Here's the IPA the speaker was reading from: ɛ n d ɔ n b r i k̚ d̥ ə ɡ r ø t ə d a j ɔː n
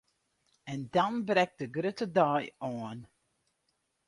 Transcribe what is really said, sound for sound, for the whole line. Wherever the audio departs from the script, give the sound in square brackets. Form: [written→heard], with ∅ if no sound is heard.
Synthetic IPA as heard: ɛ n d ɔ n b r [i→ɛ] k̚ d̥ ə ɡ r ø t ə d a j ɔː n